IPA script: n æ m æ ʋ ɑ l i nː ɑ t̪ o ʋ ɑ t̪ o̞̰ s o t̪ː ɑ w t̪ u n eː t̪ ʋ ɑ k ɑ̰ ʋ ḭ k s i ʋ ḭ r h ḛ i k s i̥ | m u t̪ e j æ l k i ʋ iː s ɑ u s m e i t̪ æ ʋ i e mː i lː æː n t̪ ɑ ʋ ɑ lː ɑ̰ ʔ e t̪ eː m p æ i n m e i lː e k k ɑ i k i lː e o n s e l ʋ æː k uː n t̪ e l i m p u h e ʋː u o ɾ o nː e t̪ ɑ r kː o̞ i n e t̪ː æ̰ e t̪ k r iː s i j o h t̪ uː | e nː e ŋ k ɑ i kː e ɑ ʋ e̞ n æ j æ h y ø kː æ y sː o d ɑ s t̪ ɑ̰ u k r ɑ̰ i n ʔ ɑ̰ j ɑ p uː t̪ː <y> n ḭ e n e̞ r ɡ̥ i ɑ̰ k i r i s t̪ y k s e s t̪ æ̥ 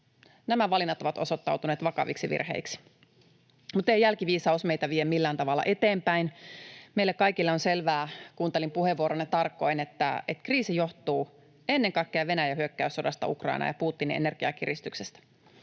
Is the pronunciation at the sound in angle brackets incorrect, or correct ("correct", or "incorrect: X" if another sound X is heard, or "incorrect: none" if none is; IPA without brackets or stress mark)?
incorrect: i